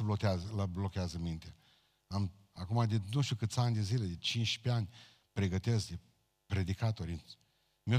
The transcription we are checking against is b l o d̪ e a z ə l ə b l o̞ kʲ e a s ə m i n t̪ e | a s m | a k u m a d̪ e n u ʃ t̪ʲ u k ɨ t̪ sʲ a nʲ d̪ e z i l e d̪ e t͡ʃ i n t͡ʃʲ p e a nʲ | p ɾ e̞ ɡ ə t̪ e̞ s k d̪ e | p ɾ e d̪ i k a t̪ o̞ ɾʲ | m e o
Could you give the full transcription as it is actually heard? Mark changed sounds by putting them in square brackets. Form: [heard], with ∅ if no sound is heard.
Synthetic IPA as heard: b l o [t̪] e a z ə l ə b l o̞ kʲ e a [z] ə m i n t̪ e | a [∅] m | a k u m a d̪ e n u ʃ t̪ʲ u k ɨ t̪ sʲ a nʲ d̪ e z i l e d̪ e t͡ʃ i n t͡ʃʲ p e a nʲ | p ɾ e̞ ɡ ə t̪ e̞ s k d̪ e | p ɾ e d̪ i k a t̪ o̞ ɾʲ | m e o